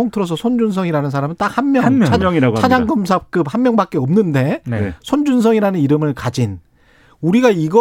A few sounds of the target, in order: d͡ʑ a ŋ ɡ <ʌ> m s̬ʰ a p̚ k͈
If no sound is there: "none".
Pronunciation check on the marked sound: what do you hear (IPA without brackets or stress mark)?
ʌ